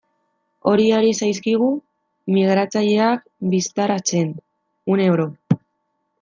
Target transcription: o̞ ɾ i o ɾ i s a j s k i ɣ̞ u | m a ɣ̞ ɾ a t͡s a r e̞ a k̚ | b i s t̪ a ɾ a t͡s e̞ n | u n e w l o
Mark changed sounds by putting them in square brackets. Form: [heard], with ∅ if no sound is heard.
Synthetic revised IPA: o̞ ɾ i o ɾ i s a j s k i ɣ̞ u | m [i] ɣ̞ ɾ a t͡s a [ʎ] e̞ a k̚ | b i s t̪ a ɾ a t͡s e̞ n | u n e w [ɾ] o